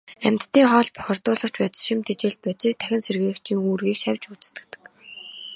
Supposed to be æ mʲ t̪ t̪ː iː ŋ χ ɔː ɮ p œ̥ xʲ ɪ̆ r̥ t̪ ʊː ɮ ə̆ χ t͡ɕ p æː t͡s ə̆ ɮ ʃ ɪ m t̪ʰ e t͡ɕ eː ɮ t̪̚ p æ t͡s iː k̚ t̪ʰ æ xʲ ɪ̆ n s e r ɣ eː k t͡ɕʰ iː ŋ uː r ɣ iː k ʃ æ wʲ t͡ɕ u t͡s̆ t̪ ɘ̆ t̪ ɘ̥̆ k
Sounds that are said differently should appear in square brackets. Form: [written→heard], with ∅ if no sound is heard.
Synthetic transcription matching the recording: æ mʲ t̪ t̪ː iː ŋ χ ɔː ɮ p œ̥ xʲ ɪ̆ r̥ t̪ ʊː ɮ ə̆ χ t͡ɕ p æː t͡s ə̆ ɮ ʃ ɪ m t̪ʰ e t͡ɕ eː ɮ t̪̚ p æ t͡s iː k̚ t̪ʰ æ xʲ ɪ̆ n s e r ɣ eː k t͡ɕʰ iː ŋ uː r ɣ iː k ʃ æ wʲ t͡ɕ u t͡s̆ t̪ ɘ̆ t̪ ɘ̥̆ k